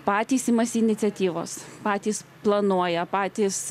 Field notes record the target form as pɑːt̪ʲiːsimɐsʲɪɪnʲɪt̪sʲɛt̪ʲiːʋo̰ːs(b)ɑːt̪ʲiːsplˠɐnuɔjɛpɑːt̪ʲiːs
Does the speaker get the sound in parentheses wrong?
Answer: yes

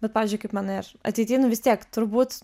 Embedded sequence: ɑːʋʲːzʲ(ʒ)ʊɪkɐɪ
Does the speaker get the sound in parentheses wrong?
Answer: yes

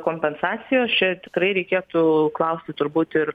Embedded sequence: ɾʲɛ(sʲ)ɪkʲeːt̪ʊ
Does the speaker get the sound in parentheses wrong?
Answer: yes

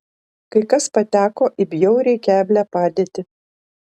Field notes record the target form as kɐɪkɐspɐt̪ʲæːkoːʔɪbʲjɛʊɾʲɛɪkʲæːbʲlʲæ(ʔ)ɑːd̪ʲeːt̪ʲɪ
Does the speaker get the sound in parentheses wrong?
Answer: yes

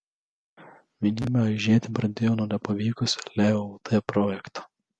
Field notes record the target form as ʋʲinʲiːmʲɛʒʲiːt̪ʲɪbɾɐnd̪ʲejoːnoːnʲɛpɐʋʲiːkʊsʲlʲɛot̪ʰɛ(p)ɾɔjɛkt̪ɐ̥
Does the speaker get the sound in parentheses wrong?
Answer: no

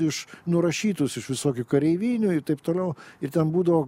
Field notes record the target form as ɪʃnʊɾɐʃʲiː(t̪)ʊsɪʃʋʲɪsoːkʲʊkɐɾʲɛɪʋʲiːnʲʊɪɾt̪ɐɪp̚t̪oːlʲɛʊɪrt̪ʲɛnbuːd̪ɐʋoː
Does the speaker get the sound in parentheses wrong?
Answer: no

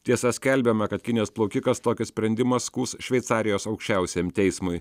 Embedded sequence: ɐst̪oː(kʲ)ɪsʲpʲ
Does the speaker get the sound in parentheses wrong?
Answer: no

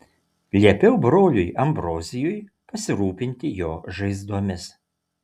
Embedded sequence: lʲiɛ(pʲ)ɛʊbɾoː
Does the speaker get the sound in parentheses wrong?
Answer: no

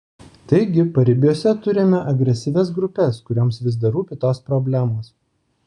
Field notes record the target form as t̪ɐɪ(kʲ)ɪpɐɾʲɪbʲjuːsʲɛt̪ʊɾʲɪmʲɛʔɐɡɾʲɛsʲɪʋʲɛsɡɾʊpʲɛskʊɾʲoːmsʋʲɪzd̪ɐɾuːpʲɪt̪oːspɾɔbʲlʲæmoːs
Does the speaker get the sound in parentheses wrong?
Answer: yes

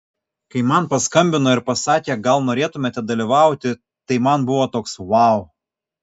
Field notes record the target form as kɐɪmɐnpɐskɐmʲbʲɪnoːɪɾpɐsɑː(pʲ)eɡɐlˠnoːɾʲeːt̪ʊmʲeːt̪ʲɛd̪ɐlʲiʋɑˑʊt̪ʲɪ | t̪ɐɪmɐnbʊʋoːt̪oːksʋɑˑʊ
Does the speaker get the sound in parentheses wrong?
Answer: yes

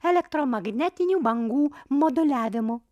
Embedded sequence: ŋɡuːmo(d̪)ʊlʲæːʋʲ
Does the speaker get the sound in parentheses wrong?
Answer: no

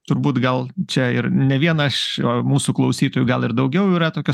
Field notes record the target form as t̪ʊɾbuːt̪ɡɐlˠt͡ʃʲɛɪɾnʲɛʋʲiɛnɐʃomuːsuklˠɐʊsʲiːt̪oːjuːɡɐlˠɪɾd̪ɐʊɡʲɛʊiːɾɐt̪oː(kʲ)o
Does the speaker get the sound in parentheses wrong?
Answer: no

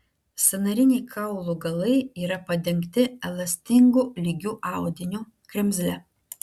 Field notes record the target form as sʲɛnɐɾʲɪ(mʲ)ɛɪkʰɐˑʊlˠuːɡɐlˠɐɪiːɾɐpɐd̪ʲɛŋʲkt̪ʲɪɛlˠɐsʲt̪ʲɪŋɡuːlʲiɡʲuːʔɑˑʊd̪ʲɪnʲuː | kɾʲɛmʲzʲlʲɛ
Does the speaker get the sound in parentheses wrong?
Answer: yes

